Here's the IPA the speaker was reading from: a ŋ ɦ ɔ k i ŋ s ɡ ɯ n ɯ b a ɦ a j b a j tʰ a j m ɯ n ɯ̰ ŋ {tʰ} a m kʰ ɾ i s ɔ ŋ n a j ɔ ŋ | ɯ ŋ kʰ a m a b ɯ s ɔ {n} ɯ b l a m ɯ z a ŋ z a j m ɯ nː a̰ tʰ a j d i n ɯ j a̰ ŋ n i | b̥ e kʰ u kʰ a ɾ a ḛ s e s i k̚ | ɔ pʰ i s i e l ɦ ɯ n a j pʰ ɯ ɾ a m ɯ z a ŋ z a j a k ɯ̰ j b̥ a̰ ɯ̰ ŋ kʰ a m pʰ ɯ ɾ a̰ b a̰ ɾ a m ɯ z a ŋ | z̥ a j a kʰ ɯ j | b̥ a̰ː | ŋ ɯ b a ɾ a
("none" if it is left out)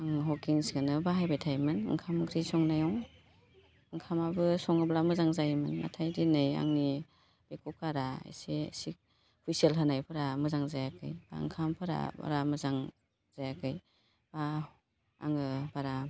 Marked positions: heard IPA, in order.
kʰ, ŋ

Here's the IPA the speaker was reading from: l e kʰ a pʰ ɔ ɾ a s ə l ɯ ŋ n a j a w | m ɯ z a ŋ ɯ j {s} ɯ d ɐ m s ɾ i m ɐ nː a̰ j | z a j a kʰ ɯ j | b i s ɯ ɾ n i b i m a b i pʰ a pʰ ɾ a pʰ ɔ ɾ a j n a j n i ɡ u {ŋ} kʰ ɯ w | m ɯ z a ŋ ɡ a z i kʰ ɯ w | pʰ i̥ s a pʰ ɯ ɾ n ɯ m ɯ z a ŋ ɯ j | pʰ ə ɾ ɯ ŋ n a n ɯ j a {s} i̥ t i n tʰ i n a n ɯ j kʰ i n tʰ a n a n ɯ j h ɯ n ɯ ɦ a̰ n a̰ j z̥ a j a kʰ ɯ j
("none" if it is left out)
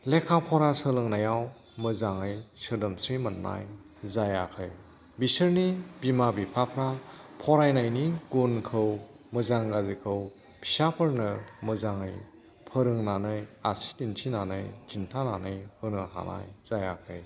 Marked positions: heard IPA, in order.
s, n, s

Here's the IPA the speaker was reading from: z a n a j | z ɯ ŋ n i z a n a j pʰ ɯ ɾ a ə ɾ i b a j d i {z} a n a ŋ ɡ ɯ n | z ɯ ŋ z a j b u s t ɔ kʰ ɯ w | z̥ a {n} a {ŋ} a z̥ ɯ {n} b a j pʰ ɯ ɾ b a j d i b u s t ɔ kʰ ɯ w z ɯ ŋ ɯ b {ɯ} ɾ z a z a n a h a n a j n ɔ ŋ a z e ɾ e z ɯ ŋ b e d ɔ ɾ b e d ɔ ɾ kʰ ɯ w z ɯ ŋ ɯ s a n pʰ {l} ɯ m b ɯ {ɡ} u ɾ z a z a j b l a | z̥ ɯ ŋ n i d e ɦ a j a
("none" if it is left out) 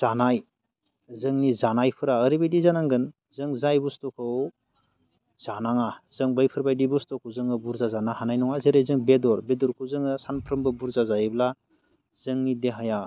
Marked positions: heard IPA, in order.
z, n, ŋ, ŋ, u, ɾ, b

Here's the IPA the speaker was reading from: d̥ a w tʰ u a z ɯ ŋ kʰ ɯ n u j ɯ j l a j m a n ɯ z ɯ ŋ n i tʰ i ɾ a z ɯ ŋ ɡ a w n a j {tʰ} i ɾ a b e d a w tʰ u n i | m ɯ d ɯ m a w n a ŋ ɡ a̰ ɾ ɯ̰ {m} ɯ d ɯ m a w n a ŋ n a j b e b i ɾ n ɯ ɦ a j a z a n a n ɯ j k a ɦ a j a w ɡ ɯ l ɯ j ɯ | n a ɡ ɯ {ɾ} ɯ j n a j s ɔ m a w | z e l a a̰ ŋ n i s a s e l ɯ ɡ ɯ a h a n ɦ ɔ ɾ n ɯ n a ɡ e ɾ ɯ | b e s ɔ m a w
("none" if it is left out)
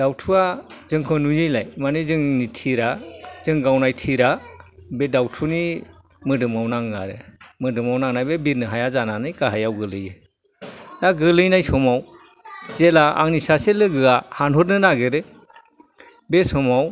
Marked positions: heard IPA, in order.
tʰ, m, l

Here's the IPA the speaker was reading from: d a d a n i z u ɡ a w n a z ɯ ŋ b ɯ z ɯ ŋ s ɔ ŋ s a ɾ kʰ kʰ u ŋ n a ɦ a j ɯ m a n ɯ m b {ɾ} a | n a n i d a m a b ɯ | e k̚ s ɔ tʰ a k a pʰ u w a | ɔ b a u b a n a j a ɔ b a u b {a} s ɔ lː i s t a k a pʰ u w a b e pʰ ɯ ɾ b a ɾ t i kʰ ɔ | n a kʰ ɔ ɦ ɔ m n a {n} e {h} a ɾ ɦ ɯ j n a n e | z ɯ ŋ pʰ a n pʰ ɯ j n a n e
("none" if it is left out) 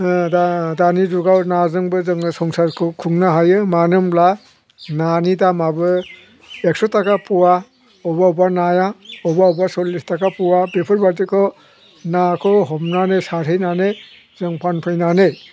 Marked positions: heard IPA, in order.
l, a, n, s

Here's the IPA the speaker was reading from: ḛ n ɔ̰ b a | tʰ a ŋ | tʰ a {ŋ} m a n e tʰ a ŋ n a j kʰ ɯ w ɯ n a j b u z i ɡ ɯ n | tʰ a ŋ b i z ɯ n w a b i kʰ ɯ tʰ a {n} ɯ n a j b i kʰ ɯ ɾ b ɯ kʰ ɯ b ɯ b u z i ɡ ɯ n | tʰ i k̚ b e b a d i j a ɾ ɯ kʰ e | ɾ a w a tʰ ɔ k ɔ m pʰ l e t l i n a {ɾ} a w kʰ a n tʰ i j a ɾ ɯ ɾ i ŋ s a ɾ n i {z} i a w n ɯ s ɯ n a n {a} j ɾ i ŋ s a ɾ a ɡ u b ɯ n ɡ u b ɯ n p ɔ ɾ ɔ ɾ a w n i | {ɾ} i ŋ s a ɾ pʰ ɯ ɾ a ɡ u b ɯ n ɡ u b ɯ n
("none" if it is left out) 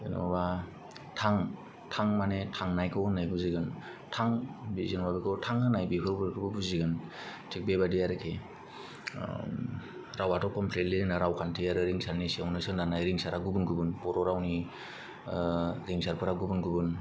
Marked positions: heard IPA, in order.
ŋ, ŋ, ɾ, s, a, ɾ

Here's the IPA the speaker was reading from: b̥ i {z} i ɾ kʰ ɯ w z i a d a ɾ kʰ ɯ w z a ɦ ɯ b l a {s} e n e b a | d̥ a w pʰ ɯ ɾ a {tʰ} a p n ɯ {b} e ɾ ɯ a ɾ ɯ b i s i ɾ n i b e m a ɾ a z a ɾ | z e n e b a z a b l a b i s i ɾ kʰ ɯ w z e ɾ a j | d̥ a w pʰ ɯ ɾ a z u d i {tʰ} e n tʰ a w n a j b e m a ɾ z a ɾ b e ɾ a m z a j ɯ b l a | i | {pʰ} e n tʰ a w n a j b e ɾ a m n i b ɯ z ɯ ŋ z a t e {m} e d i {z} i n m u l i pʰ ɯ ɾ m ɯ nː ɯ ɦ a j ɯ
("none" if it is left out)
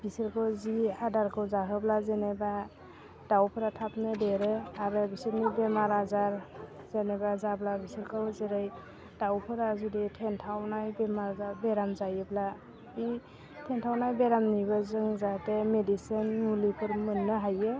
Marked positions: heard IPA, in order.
s, z, tʰ, d, tʰ, tʰ, m, s

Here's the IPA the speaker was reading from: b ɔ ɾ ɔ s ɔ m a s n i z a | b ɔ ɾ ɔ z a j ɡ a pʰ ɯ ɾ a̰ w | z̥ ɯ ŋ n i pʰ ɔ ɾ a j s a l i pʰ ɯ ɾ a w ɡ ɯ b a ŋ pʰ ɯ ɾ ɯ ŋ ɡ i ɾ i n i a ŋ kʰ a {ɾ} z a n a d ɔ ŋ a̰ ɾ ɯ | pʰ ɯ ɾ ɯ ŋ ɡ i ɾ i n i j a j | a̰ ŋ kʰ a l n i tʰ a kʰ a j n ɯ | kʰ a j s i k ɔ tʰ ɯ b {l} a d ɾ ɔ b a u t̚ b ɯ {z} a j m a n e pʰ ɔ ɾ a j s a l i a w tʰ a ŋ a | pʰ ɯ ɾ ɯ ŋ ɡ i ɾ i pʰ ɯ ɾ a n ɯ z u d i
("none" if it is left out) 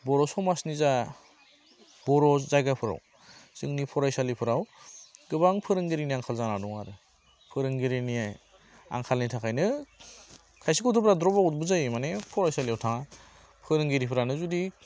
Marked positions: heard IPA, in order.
l, ɾ, z

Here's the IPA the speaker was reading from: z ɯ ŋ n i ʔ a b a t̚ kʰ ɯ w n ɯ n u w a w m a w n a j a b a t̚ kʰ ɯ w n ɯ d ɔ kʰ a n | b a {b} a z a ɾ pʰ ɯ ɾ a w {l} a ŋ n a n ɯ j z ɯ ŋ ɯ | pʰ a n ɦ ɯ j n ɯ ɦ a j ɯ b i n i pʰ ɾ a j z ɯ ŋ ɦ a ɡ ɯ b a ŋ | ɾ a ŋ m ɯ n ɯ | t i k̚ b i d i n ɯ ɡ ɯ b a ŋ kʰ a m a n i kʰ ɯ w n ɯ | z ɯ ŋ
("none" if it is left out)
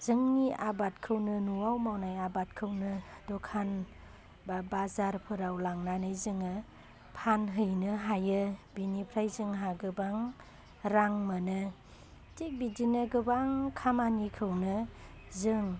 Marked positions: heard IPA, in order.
b, l

